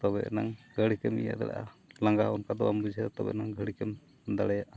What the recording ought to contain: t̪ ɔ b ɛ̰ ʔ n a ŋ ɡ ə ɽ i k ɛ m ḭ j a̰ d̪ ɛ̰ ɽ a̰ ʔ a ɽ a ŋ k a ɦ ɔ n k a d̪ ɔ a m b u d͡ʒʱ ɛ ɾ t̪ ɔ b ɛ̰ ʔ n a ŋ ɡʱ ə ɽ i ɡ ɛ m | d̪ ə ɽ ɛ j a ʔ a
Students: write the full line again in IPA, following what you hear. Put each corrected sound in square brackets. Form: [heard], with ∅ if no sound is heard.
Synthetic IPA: t̪ ɔ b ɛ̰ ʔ n a ŋ ɡ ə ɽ i k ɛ m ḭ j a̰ d̪ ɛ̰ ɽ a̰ ʔ a [l] a ŋ [ɡ] a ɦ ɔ n k a d̪ ɔ a m b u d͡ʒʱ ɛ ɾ t̪ ɔ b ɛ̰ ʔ n a ŋ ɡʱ ə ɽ i [k] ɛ m | d̪ [a] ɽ ɛ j a ʔ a